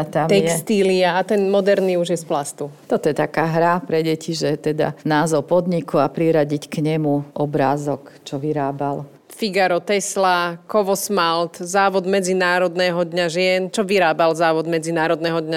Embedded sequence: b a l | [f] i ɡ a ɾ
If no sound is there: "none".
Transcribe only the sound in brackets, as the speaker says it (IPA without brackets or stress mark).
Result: f